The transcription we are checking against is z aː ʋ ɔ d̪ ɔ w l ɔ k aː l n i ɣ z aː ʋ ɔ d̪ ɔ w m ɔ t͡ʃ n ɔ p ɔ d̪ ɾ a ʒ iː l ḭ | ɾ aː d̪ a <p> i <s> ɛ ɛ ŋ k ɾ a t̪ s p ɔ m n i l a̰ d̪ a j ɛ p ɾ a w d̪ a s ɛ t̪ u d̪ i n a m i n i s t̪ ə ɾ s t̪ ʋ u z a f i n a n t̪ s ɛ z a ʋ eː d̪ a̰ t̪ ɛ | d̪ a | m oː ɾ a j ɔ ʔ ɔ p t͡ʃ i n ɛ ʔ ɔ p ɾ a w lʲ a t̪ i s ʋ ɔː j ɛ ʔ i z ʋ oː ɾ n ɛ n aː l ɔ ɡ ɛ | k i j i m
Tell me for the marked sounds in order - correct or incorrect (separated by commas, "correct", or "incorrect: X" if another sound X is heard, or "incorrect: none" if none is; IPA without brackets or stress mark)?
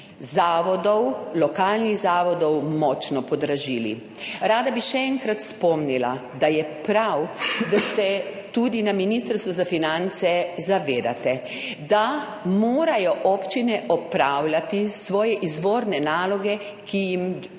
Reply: incorrect: b, incorrect: ʃ